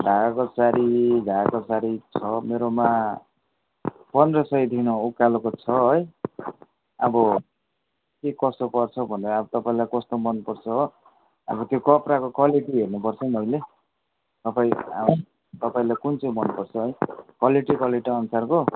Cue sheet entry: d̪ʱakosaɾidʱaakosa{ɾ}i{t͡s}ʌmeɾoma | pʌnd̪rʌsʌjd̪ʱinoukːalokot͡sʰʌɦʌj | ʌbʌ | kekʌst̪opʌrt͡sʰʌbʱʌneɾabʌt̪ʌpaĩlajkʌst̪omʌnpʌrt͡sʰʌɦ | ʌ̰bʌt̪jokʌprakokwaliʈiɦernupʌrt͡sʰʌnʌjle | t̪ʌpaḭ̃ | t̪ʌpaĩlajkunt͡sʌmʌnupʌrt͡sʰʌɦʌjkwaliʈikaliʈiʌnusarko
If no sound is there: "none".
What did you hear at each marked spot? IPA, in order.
ɾ, t͡sʰ

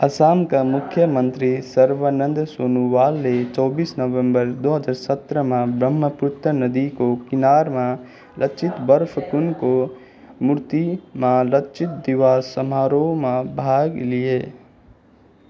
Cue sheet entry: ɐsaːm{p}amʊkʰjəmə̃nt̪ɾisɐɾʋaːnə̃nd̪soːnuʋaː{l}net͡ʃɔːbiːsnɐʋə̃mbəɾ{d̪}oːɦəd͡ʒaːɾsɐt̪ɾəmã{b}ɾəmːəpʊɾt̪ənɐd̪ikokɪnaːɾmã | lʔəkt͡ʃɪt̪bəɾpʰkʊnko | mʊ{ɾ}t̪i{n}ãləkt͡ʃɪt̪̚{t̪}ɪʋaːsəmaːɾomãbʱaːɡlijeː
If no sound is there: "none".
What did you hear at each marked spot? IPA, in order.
k, l, d̪, b, ɾ, m, d̪

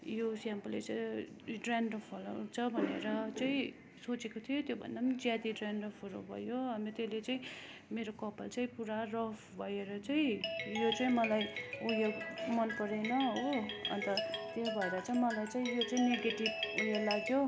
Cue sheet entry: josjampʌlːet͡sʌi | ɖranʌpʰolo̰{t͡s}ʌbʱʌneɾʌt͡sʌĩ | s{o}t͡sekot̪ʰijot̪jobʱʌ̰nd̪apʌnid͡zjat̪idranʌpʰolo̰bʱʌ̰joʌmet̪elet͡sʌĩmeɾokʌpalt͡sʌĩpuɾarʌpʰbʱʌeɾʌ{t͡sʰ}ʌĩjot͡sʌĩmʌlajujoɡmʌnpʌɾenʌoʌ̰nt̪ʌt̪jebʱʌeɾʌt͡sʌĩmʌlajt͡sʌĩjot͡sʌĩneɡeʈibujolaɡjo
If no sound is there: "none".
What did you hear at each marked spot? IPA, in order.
t͡sʰ, o, t͡s

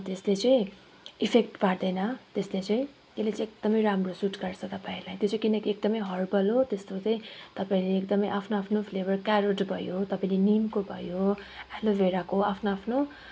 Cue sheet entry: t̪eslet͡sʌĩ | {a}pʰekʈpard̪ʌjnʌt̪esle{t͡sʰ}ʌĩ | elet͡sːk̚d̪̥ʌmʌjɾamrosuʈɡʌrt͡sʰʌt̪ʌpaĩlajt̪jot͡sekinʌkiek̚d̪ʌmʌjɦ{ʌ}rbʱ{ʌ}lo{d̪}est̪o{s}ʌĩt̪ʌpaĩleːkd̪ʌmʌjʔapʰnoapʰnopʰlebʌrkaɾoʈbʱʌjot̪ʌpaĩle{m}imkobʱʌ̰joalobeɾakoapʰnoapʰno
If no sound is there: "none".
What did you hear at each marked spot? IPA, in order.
i, t͡s, ʌ, ʌ, t̪, t͡s, n

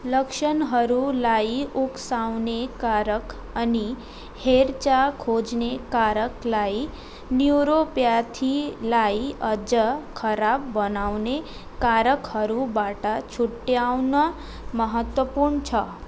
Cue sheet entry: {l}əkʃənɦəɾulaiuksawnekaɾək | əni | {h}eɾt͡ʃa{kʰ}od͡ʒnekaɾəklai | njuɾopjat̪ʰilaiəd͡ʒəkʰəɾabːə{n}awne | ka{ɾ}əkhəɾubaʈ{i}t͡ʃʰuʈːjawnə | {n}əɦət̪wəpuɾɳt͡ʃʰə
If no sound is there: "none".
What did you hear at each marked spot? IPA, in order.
l, h, kʰ, n, ɾ, a, m

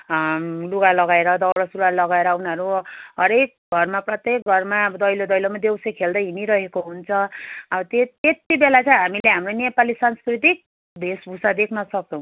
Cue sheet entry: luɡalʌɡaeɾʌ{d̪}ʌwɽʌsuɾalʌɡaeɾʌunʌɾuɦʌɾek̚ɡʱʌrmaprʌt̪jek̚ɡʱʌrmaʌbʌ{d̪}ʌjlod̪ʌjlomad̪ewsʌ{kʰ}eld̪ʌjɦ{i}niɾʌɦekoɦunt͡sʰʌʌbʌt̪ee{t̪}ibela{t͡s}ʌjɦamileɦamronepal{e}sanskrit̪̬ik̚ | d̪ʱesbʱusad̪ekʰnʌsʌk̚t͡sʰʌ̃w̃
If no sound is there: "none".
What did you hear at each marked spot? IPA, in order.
d̪, d̪, kʰ, i, t̪, t͡s, i

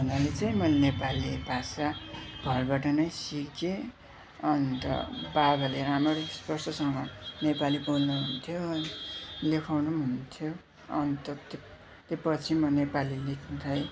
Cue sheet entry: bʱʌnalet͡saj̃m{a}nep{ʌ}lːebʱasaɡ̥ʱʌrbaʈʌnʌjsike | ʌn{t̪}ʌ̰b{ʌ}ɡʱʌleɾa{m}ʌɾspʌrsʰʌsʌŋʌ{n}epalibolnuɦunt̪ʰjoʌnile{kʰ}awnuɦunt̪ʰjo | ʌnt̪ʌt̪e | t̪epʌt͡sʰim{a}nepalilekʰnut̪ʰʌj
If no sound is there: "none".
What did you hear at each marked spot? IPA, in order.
ʌ, a, t̪, a, m, n, kʰ, ʌ

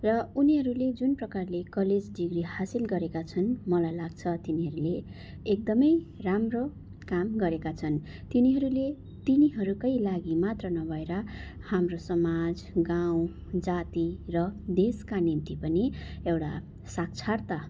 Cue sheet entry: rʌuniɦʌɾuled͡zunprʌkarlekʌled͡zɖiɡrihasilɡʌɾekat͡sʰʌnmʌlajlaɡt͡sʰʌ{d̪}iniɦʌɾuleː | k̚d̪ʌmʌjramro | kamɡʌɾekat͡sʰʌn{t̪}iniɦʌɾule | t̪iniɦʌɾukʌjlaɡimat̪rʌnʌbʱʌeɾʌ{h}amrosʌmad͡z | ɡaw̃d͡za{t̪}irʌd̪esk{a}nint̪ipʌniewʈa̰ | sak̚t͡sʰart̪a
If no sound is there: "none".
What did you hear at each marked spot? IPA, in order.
t̪, t̪, h, t̪, a

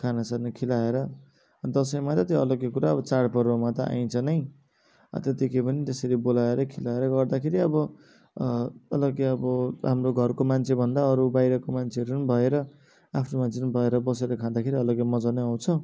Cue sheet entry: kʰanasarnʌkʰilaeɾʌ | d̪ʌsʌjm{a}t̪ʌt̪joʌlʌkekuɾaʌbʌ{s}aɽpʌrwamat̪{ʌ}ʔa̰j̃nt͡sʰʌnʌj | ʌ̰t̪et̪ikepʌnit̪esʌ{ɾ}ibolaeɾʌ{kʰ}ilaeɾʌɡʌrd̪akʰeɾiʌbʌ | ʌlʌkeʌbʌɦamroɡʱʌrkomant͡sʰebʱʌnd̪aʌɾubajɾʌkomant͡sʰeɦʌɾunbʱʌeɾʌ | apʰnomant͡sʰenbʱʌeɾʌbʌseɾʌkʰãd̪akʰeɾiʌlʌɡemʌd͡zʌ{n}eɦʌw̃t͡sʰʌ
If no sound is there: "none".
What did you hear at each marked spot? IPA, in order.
a, t͡s, ʌ, ɾ, kʰ, n

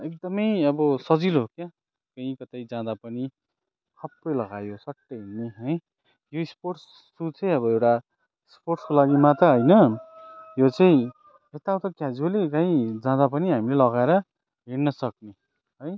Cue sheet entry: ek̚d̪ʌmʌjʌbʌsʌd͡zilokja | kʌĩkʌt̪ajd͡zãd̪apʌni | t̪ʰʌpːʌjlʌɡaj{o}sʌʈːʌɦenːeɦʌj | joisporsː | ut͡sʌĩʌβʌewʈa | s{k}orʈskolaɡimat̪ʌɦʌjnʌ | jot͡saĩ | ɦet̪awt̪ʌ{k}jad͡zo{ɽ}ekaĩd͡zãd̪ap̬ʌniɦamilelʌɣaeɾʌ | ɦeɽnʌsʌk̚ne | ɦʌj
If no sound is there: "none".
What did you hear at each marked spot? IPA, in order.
o, p, k, l

